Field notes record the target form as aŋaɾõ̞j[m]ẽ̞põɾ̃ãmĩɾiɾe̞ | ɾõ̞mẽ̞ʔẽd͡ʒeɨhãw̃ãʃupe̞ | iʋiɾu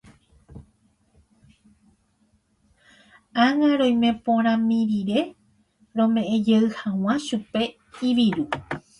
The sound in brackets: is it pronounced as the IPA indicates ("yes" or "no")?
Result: yes